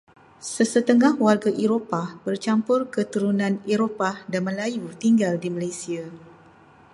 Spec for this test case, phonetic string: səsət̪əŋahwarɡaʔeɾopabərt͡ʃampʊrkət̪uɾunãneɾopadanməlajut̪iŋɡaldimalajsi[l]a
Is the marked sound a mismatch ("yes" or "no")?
yes